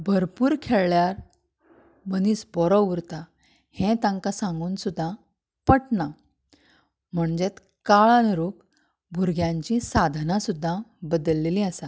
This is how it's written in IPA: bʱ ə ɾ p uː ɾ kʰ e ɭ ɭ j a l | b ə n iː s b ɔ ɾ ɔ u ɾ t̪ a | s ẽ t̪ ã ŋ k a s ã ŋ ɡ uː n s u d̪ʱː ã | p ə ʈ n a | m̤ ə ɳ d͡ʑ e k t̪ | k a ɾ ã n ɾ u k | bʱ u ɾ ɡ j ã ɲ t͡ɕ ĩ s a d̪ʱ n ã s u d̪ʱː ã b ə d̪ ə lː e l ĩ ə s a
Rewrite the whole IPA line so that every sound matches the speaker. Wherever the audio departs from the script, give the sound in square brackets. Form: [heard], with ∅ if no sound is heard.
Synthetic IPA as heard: bʱ ə ɾ p uː ɾ kʰ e ɭ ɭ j a [ɾ] | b ə n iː s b ɔ ɾ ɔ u ɾ t̪ a | [h] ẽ t̪ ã ŋ k a s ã ŋ ɡ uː n s u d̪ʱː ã | p ə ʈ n a | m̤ ə ɳ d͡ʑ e [∅] t̪ | k a [ɭ] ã n ɾ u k | bʱ u ɾ ɡ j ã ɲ t͡ɕ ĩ s a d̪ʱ n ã s u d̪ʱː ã b ə d̪ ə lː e l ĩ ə s a